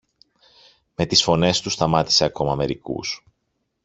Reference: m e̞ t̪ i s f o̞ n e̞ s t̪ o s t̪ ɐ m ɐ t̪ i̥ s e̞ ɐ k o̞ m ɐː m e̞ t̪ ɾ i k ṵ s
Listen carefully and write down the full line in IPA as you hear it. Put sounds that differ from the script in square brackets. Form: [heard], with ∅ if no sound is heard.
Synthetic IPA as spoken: m e̞ t̪ i s f o̞ n e̞ s t̪ [u] s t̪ ɐ m ɐ t̪ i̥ s e̞ ɐ k o̞ m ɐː m e̞ [∅] ɾ i k ṵ s